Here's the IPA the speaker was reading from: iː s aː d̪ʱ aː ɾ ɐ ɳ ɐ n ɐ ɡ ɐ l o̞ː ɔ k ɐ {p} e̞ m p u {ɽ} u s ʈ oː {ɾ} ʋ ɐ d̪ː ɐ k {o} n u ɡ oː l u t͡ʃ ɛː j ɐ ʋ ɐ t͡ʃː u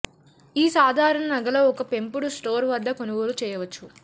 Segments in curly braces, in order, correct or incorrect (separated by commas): correct, correct, correct, correct